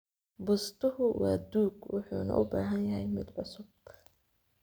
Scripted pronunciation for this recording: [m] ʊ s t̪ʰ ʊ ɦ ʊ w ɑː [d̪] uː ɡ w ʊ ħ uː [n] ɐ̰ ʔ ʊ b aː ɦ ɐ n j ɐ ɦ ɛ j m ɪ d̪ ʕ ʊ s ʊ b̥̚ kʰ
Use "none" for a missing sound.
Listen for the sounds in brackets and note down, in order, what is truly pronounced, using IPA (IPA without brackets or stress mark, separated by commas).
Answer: b, d̪, n